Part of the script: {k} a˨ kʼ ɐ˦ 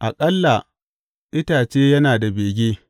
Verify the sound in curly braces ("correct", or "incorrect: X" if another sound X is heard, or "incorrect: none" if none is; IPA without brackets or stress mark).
incorrect: ʔ